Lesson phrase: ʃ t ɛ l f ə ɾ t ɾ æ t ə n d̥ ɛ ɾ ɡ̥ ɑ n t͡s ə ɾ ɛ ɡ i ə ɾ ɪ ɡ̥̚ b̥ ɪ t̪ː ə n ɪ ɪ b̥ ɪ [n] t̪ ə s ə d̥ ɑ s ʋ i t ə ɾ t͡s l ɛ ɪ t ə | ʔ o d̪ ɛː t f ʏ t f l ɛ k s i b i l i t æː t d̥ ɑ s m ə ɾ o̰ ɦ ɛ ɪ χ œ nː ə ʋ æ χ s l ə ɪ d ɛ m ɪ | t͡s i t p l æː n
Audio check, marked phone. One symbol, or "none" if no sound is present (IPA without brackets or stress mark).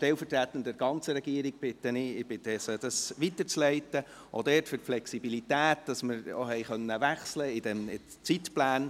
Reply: none